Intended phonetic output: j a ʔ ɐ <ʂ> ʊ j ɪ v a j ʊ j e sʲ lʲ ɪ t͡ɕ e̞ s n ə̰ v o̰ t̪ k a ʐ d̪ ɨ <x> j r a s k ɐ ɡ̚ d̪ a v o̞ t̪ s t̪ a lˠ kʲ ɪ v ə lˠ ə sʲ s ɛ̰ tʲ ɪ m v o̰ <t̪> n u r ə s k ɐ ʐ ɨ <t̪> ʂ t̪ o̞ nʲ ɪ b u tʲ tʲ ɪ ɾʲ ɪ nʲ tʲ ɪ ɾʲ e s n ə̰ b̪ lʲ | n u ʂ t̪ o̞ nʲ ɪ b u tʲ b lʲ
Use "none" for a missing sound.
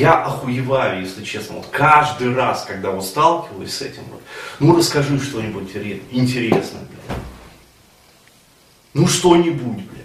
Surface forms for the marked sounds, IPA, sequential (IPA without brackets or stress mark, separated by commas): x, none, t̪, none